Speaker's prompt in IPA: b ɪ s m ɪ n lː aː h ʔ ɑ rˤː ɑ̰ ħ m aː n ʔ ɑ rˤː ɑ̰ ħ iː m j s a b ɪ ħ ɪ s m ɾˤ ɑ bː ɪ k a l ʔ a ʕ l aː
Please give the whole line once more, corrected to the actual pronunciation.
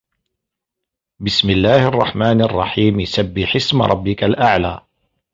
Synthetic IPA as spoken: b ɪ s m ɪ lː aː h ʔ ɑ rˤː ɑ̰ ħ m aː n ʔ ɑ rˤː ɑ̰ ħ iː m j s a bː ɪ ħ ɪ s m ɾˤ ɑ bː ɪ k a l ʔ a ʕ l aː